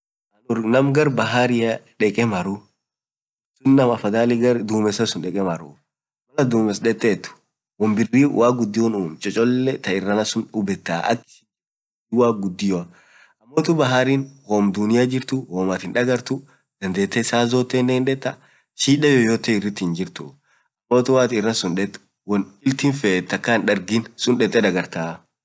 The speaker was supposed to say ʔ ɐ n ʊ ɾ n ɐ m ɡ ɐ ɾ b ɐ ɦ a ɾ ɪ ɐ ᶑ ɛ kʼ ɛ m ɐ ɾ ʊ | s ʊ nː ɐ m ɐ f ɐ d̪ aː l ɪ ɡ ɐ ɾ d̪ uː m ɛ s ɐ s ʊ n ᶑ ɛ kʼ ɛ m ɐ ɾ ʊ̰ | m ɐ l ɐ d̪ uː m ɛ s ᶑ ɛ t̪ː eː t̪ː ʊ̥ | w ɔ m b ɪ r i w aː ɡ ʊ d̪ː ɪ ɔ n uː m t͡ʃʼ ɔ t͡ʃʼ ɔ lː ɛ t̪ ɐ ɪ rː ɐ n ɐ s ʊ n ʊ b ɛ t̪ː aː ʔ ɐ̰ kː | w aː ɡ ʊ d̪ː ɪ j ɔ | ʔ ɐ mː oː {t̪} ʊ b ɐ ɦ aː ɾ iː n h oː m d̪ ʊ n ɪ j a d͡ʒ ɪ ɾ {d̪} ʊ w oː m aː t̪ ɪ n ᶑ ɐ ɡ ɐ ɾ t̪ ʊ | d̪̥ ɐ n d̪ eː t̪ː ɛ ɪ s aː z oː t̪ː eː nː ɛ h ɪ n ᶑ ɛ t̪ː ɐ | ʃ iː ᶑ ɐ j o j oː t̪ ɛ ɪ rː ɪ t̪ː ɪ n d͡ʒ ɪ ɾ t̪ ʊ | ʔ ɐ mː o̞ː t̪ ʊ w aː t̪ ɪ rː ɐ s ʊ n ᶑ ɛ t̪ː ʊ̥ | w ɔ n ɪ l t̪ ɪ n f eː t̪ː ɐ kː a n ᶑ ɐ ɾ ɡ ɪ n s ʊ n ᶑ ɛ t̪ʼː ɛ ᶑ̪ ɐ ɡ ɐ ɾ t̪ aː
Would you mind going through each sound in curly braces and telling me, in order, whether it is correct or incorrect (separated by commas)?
correct, incorrect